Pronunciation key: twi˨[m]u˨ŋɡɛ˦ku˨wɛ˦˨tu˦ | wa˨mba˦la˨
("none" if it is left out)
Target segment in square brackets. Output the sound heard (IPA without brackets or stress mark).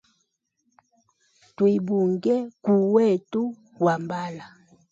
b